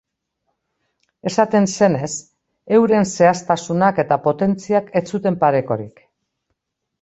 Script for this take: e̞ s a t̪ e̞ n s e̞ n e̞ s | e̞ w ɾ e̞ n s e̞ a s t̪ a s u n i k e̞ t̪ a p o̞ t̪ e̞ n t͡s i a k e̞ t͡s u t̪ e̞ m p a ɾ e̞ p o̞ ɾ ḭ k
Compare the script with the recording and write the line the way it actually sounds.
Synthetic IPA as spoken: e̞ s a t̪ e̞ n s e̞ n e̞ s | e̞ w ɾ e̞ n s e̞ a s t̪ a s u n a k e̞ t̪ a p o̞ t̪ e̞ n t͡s i a k e̞ t͡s u t̪ e̞ m p a ɾ e̞ k o̞ ɾ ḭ k

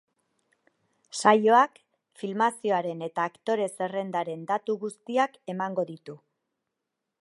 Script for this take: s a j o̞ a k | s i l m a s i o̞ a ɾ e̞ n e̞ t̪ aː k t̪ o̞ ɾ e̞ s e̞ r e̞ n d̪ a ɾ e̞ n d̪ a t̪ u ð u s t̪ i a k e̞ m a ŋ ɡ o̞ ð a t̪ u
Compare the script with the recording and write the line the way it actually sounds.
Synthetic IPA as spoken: s a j o̞ a k | f i l m a s i o̞ a ɾ e̞ n e̞ t̪ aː k t̪ o̞ ɾ e̞ s e̞ r e̞ n d̪ a ɾ e̞ n d̪ a t̪ u ɣ u s t̪ i a k e̞ m a ŋ ɡ o̞ ð i t̪ u

